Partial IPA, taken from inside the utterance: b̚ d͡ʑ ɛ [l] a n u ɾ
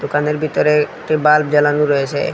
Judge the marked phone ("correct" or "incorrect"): correct